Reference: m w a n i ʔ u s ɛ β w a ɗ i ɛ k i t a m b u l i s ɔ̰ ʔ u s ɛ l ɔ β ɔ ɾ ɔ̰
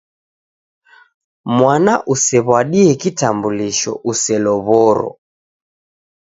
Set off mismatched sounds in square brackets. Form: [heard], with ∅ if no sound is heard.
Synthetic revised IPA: m w a n [a] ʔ u s ɛ β w a ɗ i ɛ k i t a m b u l i [ʃ] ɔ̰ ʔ u s ɛ l ɔ β ɔ ɾ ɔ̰